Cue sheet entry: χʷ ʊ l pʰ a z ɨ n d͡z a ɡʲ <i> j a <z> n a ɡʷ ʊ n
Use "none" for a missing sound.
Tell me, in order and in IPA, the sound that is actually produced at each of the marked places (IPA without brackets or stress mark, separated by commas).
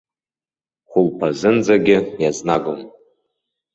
ɪ, z